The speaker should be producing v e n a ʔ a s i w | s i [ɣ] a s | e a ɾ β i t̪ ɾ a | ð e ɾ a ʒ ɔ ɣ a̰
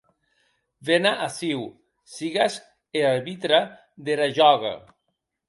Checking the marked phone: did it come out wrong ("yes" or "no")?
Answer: no